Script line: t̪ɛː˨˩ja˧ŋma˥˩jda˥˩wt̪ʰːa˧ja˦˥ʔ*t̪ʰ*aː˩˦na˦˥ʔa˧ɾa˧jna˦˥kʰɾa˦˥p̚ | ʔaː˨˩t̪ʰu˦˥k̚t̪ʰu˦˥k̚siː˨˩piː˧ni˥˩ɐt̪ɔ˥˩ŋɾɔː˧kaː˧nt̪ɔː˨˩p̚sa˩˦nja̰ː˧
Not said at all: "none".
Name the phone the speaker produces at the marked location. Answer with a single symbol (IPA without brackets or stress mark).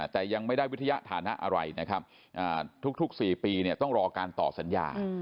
t̪ʰ